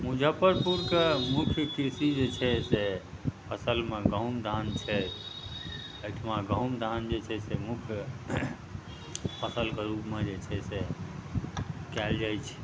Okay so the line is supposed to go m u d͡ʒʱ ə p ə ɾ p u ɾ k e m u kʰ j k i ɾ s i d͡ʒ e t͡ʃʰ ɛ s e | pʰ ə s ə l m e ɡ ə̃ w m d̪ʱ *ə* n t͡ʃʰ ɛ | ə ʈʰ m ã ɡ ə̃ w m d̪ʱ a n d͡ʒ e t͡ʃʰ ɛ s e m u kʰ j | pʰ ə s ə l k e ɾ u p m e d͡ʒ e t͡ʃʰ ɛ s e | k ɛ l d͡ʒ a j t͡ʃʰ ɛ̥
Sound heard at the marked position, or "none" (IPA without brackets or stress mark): a